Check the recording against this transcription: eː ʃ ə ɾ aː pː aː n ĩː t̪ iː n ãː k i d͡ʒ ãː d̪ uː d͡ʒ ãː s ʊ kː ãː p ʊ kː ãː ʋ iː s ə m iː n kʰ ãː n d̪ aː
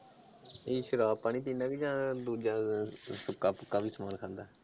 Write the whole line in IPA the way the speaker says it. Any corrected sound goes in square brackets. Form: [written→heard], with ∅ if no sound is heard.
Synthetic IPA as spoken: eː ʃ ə ɾ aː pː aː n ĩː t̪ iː n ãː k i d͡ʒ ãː d̪ uː d͡ʒ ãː s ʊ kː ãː p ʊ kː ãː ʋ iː s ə m [iː→aː] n kʰ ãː n d̪ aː